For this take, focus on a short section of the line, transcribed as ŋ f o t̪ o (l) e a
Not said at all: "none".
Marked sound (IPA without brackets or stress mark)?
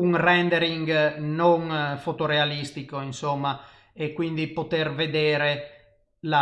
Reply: ɾ